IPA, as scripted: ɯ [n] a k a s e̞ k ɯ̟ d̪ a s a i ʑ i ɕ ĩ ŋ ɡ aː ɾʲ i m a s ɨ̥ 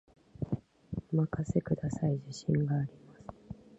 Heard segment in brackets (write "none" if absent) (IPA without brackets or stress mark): m